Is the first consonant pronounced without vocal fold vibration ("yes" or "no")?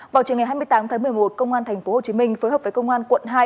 no